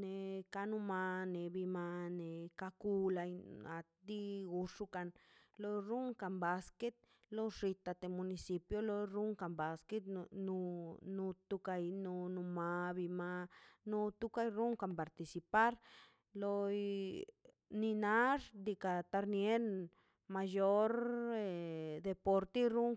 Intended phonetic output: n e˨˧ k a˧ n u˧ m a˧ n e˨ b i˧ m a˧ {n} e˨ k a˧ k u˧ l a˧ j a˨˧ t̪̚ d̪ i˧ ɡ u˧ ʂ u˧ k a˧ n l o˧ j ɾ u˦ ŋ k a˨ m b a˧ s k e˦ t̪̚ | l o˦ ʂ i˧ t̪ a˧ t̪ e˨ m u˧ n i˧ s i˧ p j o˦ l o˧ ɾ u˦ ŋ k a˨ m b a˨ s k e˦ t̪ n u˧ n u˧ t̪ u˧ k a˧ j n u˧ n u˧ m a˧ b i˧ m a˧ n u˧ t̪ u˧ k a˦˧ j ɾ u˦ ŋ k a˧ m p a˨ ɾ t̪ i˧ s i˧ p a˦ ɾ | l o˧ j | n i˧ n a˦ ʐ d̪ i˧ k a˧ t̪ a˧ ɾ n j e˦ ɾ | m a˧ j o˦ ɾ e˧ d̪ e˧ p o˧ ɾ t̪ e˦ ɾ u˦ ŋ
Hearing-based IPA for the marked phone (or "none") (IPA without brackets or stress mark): n